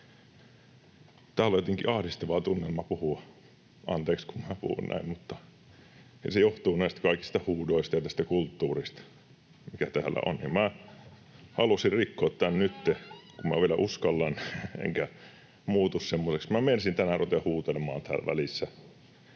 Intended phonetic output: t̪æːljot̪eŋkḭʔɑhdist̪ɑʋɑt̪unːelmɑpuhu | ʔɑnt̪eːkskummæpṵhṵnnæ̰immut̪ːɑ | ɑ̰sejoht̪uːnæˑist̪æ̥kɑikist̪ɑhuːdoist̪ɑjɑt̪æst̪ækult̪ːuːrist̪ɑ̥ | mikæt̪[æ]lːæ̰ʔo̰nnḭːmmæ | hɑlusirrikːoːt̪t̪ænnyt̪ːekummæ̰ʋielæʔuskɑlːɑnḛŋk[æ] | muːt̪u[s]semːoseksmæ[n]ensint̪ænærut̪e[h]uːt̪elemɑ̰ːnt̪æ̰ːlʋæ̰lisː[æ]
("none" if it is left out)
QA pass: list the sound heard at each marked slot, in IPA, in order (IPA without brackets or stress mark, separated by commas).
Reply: æː, æ, s, m, h, æ